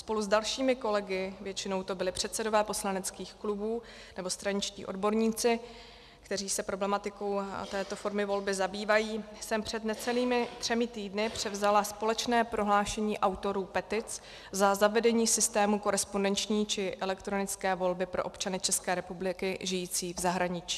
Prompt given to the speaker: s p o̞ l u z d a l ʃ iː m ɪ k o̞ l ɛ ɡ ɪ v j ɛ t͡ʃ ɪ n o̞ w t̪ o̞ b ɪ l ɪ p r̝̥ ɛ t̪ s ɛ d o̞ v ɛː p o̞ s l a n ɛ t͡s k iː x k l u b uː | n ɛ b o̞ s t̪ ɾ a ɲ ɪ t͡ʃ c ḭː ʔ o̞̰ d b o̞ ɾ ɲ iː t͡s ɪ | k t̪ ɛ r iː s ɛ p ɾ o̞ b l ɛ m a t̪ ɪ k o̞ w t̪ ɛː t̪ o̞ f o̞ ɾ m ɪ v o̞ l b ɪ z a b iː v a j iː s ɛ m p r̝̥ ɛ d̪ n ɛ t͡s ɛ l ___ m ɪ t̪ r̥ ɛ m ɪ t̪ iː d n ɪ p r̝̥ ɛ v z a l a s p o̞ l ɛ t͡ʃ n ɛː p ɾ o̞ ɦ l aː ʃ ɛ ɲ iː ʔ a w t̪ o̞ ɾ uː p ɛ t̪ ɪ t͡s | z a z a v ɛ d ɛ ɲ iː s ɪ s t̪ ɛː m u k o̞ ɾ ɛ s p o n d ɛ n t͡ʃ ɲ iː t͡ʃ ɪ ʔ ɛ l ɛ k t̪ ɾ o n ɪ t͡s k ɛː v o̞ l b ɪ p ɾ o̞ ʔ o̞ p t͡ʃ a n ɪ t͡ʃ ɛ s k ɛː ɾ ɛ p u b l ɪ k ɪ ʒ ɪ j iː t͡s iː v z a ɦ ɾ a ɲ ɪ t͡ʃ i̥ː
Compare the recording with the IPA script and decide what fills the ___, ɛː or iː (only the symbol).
iː